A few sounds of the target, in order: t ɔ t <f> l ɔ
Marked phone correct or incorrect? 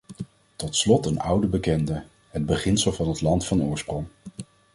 incorrect